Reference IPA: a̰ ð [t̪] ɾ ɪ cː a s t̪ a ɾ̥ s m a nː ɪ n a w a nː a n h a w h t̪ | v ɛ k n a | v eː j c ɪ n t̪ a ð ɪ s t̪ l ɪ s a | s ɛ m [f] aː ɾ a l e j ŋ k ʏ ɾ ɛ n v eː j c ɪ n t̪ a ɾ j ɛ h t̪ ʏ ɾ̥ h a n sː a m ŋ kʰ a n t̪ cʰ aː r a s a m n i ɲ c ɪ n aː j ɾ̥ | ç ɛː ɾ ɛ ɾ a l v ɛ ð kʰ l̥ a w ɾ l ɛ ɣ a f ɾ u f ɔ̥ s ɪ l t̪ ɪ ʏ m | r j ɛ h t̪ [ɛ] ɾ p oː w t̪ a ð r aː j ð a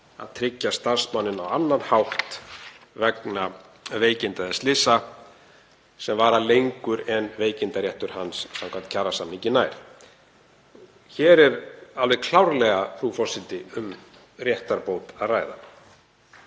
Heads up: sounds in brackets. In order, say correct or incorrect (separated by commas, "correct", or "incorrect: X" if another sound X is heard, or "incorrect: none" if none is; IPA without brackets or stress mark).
incorrect: t̪ʰ, incorrect: v, incorrect: a